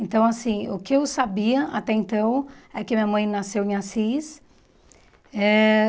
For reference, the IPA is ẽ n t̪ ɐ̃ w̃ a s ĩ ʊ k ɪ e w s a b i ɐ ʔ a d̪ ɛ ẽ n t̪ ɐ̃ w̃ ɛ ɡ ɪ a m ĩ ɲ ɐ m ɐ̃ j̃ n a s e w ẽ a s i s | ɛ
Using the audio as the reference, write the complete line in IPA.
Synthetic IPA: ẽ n t̪ ɐ̃ w̃ a s ĩ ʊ k ɪ e w s a b i ɐ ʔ a t̪ ɛ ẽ n t̪ ɐ̃ w̃ ɛ k ɪ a m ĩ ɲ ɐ m ɐ̃ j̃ n a s e w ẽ a s i s | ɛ